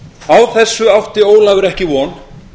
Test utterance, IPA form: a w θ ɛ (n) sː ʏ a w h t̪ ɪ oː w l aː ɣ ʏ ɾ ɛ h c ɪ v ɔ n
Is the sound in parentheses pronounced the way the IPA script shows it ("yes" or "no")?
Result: no